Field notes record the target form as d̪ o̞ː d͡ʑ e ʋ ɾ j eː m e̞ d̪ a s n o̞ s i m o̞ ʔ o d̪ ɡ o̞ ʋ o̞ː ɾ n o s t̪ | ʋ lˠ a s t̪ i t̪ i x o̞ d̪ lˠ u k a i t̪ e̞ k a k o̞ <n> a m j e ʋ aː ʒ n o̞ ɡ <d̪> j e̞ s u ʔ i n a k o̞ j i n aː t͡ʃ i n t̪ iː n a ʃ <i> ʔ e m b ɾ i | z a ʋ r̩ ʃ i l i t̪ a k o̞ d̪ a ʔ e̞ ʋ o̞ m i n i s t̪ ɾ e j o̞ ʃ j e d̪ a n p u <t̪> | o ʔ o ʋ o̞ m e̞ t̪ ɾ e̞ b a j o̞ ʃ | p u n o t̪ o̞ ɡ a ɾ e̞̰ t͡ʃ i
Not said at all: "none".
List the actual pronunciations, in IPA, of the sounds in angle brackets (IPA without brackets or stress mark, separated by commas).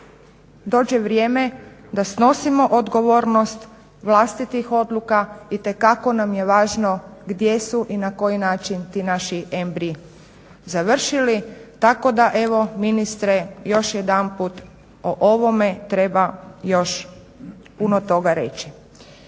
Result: n, d̪, i, t̪